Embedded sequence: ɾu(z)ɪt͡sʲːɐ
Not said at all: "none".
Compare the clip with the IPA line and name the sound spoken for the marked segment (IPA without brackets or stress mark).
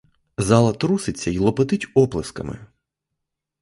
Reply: s